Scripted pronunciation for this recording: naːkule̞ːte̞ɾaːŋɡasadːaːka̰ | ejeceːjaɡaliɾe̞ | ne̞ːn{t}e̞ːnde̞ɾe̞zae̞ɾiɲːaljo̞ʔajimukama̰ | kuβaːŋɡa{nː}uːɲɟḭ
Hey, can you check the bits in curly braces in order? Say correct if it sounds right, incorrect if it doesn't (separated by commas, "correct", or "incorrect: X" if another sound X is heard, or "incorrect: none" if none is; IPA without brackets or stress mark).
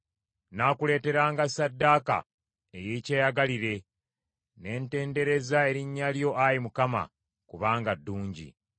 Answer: correct, incorrect: dː